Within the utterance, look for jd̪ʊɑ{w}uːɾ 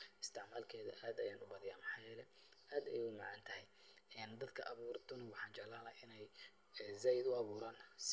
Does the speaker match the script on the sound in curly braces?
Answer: no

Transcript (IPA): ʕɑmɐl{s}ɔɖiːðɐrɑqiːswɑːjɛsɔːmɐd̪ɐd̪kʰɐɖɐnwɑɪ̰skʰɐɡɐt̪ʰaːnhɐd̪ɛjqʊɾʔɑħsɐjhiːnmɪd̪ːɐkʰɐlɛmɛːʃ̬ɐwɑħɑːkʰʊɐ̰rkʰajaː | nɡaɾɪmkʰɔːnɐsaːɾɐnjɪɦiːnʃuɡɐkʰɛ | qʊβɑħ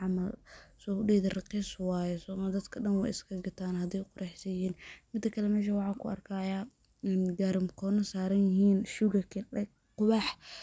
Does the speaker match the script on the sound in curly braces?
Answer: yes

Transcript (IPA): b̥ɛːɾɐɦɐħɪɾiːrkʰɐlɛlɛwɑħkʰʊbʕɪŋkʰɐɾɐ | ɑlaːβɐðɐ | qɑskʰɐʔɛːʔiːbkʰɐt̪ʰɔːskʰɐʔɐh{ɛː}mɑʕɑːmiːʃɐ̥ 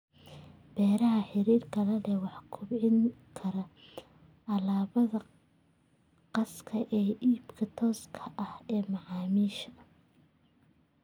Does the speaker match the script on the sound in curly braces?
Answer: yes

